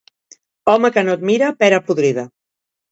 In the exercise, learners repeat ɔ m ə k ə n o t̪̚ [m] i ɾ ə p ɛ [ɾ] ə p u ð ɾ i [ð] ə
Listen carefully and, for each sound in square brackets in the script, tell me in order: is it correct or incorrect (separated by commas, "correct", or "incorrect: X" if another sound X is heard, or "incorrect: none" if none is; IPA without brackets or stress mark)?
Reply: correct, correct, correct